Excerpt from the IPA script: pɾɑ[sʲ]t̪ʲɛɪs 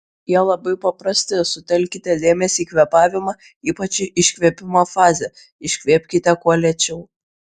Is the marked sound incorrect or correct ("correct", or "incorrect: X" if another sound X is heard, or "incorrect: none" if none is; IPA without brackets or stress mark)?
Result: correct